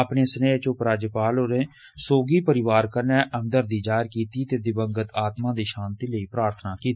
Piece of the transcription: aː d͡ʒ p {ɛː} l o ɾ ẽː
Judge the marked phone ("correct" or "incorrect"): incorrect